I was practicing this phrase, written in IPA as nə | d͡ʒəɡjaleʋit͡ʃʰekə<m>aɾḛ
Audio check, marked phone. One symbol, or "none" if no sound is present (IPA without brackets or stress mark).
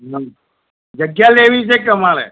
m